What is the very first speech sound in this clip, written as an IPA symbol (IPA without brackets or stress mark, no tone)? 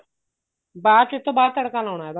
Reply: b